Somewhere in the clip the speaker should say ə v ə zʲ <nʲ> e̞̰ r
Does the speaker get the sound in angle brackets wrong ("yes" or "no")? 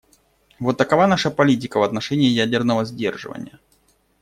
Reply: yes